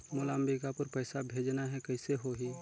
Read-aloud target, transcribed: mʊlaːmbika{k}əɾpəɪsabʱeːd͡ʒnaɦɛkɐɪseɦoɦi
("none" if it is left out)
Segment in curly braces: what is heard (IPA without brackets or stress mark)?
p